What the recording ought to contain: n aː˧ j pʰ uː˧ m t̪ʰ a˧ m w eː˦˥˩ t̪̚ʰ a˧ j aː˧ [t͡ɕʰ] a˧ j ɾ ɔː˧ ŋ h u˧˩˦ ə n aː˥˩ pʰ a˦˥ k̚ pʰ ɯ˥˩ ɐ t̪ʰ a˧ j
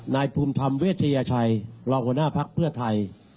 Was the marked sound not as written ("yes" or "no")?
no